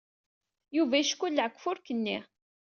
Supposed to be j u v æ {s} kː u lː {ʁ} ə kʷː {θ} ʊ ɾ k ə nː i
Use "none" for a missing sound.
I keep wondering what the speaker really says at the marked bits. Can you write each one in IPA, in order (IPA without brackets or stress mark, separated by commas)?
ʃ, ʕ, f